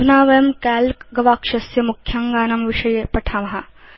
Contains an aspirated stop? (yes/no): yes